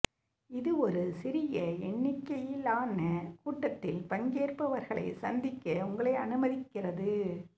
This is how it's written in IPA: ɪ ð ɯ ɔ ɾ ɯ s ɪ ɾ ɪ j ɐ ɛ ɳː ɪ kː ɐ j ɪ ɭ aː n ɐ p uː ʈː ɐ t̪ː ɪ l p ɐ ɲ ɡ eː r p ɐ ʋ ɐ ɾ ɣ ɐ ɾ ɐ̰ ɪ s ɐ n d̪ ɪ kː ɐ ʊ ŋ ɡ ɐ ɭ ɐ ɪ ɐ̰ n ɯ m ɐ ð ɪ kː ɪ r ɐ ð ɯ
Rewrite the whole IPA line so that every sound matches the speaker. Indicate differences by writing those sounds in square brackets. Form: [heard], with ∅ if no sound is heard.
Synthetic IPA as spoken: ɪ ð ɯ ɔ ɾ ɯ s ɪ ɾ ɪ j ɐ ɛ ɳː ɪ kː ɐ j ɪ [l] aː n ɐ [k] uː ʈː ɐ t̪ː ɪ l p ɐ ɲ ɡ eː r p ɐ ʋ ɐ ɾ ɣ ɐ [ɭ] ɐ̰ ɪ s ɐ n d̪ ɪ kː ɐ ʊ ŋ ɡ ɐ ɭ ɐ ɪ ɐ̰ n ɯ m ɐ ð ɪ kː ɪ r ɐ ð ɯ

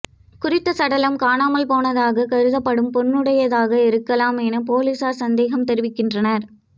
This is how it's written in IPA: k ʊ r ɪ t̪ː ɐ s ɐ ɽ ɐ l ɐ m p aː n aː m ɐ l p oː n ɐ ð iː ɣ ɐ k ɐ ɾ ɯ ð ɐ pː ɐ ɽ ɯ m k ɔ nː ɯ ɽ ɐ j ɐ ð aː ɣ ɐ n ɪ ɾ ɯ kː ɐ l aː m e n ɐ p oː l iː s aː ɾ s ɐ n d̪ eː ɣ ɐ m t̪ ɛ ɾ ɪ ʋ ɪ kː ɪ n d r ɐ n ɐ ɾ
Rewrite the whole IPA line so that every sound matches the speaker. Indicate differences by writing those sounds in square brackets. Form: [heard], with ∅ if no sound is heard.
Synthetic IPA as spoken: k ʊ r ɪ t̪ː ɐ s ɐ ɽ ɐ l ɐ m [k] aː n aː m ɐ l p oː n ɐ ð [aː] ɣ ɐ k ɐ ɾ ɯ ð ɐ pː ɐ ɽ ɯ m [p] ɔ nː ɯ ɽ ɐ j ɐ ð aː ɣ ɐ [∅] ɪ ɾ ɯ kː ɐ l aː m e n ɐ p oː l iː s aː ɾ s ɐ n d̪ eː ɣ ɐ m t̪ ɛ ɾ ɪ ʋ ɪ kː ɪ n d r ɐ n ɐ ɾ

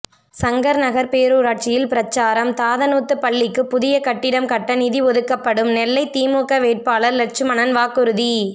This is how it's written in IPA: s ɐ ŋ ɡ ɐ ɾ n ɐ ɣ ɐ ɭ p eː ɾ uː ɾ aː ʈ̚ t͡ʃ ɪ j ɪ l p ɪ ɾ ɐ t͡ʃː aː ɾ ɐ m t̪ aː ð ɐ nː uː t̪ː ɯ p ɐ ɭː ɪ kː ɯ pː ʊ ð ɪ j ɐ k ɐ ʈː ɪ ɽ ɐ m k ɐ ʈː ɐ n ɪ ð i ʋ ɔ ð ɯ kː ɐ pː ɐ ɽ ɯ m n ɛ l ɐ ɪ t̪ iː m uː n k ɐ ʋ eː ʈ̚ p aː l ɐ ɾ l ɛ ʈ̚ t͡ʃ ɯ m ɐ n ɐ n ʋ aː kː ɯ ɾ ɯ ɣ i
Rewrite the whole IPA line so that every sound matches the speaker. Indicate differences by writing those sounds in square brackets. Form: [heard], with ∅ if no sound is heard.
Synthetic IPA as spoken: s ɐ ŋ ɡ ɐ ɾ n ɐ ɣ ɐ [ɾ] p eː ɾ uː ɾ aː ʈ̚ t͡ʃ ɪ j ɪ l p ɪ ɾ ɐ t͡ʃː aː ɾ ɐ m t̪ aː ð ɐ [n] uː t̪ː ɯ p ɐ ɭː ɪ kː ɯ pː ʊ ð ɪ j ɐ k ɐ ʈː ɪ ɽ ɐ m k ɐ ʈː ɐ n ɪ ð i ʋ ɔ ð ɯ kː ɐ pː ɐ ɽ ɯ m n ɛ [lː] ɐ ɪ t̪ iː m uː [∅] k ɐ ʋ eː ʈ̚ p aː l ɐ ɾ l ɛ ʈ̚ t͡ʃ ɯ m ɐ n ɐ n ʋ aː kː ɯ ɾ ɯ [ð] i

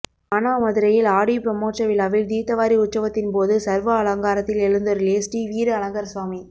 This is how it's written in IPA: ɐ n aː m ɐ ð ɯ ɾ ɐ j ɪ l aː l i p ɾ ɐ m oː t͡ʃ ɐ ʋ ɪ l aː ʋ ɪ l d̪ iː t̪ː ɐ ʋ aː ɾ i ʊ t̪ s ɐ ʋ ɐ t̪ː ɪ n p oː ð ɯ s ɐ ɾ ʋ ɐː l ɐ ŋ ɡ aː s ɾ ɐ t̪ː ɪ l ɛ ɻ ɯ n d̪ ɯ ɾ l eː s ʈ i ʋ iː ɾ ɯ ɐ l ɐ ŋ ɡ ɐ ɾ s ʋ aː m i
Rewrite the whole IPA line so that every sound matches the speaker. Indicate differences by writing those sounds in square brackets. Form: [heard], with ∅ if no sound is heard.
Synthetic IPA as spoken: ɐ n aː m ɐ ð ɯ ɾ ɐ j ɪ l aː [ɽ] i p ɾ ɐ m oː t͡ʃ ɐ ʋ ɪ l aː ʋ ɪ l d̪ iː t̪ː ɐ ʋ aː ɾ i ʊ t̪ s ɐ ʋ ɐ t̪ː ɪ n p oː ð ɯ s ɐ ɾ ʋ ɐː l ɐ ŋ ɡ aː [∅] ɾ ɐ t̪ː ɪ l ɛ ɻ ɯ n d̪ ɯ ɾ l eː s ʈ i ʋ iː ɾ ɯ ɐ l ɐ ŋ ɡ ɐ ɾ s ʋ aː m i

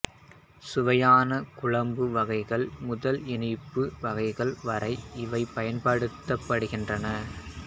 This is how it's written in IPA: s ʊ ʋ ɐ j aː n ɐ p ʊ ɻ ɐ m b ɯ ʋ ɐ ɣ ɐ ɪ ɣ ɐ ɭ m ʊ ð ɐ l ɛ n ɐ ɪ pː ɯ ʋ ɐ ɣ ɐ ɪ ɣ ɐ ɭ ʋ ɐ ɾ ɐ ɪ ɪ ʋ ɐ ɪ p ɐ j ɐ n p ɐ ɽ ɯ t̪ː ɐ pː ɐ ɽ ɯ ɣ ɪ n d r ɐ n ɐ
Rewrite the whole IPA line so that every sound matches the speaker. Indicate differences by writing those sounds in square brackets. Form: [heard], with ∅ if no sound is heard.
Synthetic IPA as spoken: s ʊ ʋ ɐ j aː n ɐ [k] ʊ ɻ ɐ m b ɯ ʋ ɐ ɣ ɐ ɪ ɣ ɐ ɭ m ʊ ð ɐ l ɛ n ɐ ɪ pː ɯ ʋ ɐ ɣ ɐ ɪ ɣ ɐ ɭ ʋ ɐ ɾ ɐ ɪ ɪ ʋ ɐ ɪ p ɐ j ɐ n p ɐ ɽ ɯ t̪ː ɐ pː ɐ ɽ ɯ ɣ ɪ n d r ɐ n ɐ

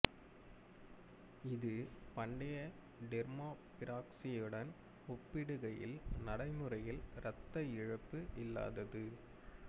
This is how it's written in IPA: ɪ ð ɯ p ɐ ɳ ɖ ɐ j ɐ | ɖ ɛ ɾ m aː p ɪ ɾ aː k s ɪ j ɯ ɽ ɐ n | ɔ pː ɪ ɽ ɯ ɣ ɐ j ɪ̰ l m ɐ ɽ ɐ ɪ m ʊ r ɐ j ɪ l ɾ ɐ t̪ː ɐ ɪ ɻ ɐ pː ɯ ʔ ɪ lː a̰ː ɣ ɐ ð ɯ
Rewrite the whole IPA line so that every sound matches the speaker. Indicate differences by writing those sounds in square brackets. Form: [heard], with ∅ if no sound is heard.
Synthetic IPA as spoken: ɪ ð ɯ p ɐ ɳ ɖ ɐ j ɐ | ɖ ɛ ɾ m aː p ɪ ɾ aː k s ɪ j ɯ ɽ ɐ n | ɔ pː ɪ ɽ ɯ ɣ ɐ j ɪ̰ l [n] ɐ ɽ ɐ ɪ m [ɯ] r ɐ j ɪ l ɾ ɐ t̪ː ɐ ɪ ɻ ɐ pː ɯ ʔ ɪ lː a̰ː [ð] ɐ ð ɯ

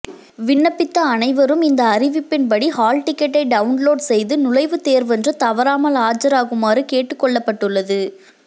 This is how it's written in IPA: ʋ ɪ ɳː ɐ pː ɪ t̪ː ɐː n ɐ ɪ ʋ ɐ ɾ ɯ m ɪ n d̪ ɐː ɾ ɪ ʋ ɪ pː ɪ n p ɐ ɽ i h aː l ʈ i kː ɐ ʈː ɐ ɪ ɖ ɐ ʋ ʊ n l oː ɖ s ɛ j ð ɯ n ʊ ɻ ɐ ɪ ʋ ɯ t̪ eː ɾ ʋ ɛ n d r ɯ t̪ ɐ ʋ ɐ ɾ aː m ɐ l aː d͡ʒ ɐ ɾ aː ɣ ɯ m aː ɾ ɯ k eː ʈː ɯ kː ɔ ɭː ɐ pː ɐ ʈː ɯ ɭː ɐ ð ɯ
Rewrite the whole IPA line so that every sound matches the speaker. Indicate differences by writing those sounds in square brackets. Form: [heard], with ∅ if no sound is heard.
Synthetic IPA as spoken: ʋ ɪ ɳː ɐ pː ɪ t̪ː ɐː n ɐ ɪ ʋ ɐ ɾ ɯ m ɪ n d̪ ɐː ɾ ɪ ʋ ɪ pː ɪ n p ɐ ɽ i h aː l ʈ [ɪ] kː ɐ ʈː ɐ ɪ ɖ ɐ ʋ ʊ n l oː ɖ s ɛ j ð ɯ n ʊ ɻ ɐ ɪ ʋ ɯ t̪ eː ɾ ʋ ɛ n d r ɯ t̪ ɐ ʋ ɐ ɾ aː m ɐ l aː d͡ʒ ɐ ɾ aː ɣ ɯ m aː ɾ ɯ k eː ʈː ɯ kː ɔ ɭː ɐ pː ɐ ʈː ɯ ɭː ɐ ð ɯ

